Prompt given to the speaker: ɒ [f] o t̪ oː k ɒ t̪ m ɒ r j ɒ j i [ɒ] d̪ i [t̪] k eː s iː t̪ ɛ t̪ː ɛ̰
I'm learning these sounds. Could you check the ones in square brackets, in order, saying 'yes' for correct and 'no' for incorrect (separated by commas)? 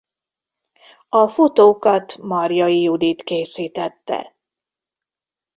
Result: yes, no, yes